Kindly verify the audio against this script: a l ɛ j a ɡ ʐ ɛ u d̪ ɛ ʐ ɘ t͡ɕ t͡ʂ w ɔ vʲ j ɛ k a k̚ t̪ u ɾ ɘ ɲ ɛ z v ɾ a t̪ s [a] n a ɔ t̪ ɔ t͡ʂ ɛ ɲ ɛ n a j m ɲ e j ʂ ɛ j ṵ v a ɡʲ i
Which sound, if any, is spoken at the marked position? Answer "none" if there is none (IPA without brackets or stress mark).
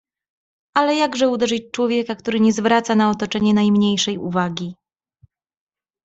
a